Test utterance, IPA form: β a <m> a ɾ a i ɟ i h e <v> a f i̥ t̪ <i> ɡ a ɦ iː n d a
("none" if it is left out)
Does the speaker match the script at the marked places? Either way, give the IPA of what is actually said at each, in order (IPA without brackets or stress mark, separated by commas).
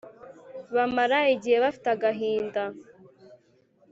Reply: m, β, a